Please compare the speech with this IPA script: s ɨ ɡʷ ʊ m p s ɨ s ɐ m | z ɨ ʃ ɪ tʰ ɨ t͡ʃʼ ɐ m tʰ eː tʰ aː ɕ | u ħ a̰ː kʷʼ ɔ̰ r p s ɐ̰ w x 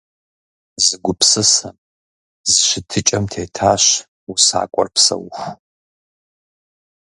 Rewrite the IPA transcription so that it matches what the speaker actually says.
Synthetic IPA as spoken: z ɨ ɡʷ ʊ p s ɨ s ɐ m | z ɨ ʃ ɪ tʰ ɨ t͡ʃʼ ɐ m tʰ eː tʰ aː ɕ | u s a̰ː kʷʼ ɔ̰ r p s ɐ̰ w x

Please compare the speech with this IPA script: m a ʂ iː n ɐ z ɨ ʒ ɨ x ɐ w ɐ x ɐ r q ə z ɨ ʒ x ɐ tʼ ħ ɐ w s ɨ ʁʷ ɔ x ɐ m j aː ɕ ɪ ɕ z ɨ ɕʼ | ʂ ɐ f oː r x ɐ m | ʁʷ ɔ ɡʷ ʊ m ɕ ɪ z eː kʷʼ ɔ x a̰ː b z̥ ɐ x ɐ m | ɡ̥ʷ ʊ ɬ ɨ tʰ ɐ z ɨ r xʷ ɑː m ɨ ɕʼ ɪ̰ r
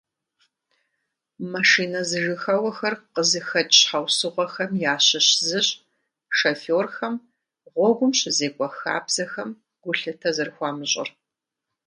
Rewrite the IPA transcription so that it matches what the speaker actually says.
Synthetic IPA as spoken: m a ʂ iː n ɐ z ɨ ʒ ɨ x ɐ w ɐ x ɐ r q ə z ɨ x ɐ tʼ ħ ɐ w s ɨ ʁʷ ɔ x ɐ m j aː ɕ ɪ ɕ z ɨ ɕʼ | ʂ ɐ f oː r x ɐ m | ʁʷ ɔ ɡʷ ʊ m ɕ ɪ z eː kʷʼ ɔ x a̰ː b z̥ ɐ x ɐ m | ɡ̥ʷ ʊ ɬ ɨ tʰ ɐ z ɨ r xʷ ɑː m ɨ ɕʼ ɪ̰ r

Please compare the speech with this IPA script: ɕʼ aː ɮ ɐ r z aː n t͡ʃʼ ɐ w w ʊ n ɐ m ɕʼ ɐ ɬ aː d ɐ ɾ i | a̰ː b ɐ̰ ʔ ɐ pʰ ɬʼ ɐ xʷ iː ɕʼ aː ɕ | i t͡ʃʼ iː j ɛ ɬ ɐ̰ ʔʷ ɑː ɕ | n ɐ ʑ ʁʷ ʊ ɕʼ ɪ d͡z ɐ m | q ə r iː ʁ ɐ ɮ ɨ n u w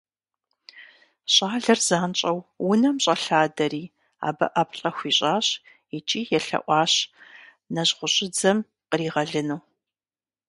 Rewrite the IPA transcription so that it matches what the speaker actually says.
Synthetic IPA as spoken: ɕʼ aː ɮ ɐ r z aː n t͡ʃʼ ɐ w w ʊ n ɐ m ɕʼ ɐ ɬ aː d ɐ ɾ iː | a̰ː b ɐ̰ ʔ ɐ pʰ ɬʼ ɐ xʷ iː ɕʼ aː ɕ | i t͡ʃʼ iː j ɛ ɬ ɐ̰ ʔʷ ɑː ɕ | n ɐ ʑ ʁʷ ʊ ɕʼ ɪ d͡z ɐ m | q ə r iː ʁ ɐ ɮ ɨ n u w

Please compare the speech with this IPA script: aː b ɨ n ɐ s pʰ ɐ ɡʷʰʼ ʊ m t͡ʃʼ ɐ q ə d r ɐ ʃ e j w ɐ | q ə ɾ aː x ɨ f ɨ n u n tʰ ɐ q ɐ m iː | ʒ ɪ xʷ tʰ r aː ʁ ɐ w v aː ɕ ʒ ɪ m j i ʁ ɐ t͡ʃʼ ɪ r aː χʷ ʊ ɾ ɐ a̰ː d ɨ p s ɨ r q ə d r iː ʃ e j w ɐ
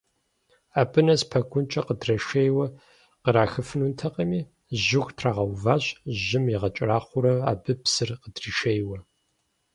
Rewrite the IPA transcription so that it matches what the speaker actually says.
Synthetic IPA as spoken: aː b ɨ n ɐ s pʰ ɐ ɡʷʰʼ ʊ n t͡ʃʼ ɐ q ə d r ɐ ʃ e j w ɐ | q ə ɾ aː x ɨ f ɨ n u n tʰ ɐ q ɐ m iː | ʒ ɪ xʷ tʰ r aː ʁ ɐ w v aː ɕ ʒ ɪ m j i ʁ ɐ t͡ʃʼ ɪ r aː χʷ ʊ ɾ ɐ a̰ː b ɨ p s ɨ r q ə d r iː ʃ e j w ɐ

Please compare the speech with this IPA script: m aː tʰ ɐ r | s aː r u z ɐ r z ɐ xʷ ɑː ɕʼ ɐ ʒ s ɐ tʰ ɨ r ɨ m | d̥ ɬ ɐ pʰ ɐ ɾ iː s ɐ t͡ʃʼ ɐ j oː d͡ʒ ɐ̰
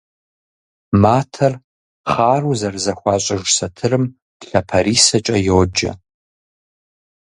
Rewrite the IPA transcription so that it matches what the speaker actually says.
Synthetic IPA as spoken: m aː tʰ ɐ r | χ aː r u z ɐ r z ɐ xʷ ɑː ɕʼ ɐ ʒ s ɐ tʰ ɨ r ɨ m | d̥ ɬ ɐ pʰ ɐ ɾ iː s ɐ t͡ʃʼ ɐ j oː d͡ʒ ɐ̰

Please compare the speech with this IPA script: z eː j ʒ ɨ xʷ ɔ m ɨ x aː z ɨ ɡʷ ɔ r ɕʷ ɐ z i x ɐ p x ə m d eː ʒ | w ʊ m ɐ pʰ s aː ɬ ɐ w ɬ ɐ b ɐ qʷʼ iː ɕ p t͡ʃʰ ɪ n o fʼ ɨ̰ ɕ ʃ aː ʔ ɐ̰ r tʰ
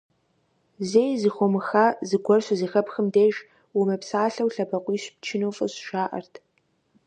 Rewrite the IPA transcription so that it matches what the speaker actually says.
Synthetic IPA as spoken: z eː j z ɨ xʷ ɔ m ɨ x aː z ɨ ɡʷ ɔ r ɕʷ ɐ z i x ɐ p x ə m d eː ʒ | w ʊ m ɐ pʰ s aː ɬ ɐ w ɬ ɐ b ɐ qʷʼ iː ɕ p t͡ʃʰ ɪ n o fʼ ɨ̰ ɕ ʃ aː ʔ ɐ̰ r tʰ

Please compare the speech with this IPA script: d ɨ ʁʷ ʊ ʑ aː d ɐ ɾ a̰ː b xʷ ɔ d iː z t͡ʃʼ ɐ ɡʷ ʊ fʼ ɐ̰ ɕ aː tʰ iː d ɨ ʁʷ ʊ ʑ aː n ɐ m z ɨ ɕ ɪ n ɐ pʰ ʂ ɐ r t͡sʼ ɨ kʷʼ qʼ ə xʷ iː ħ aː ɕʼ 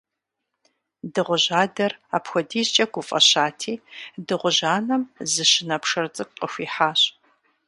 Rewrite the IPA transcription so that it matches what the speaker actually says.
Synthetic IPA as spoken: d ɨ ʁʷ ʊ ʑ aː d ɐ r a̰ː p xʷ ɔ d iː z t͡ʃʼ ɐ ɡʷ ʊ fʼ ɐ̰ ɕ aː tʰ iː d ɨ ʁʷ ʊ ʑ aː n ɐ m z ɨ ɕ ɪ n ɐ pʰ ʂ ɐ r t͡sʼ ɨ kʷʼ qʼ ə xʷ iː ħ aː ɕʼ

